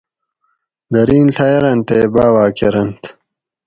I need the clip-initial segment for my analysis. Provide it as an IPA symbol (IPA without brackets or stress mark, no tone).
d̪